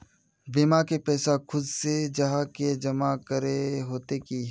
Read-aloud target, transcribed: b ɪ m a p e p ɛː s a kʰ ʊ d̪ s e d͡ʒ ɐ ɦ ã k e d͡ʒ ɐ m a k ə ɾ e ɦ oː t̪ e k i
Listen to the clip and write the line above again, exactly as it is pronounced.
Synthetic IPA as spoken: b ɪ m a k e p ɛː s a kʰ ʊ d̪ s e d͡ʒ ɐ ɦ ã k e d͡ʒ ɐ m a k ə ɾ e ɦ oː t̪ e k i